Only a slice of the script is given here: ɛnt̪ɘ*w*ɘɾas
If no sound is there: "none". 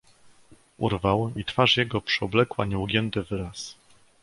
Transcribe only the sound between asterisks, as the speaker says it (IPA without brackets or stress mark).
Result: v